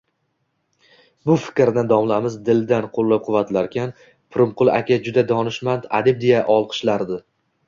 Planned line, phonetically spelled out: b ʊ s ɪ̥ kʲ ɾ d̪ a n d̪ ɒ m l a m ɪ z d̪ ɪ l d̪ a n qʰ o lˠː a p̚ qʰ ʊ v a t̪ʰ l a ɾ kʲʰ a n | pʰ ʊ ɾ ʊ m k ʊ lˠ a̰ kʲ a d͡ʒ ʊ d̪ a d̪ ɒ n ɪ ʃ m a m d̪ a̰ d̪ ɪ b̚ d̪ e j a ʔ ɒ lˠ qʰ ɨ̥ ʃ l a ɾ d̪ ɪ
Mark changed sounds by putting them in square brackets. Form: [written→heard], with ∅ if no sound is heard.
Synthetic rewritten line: b ʊ [s→f] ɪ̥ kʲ ɾ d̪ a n d̪ ɒ m l a m ɪ z d̪ ɪ l d̪ a n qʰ o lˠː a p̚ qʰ ʊ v a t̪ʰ l a ɾ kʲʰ a n | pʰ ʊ ɾ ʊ m [k→q] ʊ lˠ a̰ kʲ a d͡ʒ ʊ d̪ a d̪ ɒ n ɪ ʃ m a [m→n] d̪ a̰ d̪ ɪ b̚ d̪ e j a ʔ ɒ lˠ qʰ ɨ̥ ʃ l a ɾ d̪ ɪ